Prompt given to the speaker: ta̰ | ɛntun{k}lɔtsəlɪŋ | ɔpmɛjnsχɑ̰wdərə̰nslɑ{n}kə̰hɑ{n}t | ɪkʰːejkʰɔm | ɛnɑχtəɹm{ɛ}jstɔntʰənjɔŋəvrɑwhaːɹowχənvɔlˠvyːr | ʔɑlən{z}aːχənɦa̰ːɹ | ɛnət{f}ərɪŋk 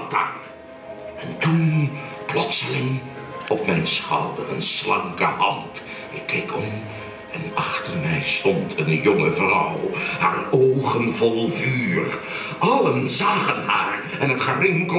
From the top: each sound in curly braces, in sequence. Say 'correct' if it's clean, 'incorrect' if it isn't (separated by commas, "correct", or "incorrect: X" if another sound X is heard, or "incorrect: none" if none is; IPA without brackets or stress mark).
incorrect: p, incorrect: ŋ, correct, correct, correct, incorrect: χ